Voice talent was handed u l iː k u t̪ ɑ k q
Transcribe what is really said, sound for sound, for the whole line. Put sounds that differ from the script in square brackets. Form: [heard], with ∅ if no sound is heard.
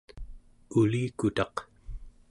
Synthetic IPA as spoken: u l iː k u t̪ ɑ [∅] q